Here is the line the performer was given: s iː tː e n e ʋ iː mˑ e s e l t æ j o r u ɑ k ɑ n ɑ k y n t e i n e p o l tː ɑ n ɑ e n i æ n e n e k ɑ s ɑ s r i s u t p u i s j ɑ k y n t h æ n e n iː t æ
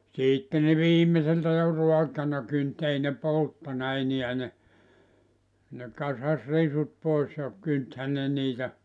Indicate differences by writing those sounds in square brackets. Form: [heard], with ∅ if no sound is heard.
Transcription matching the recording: s iː tː e n e ʋ iː mˑ e s e l t æ j o r u ɑ k ɑ n ɑ k y n t e i n e p o l tː ɑ n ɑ e n i æ n e n e k ɑ s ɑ s r i s u t p [o] i s j ɑ k y n t h æ n e n iː t æ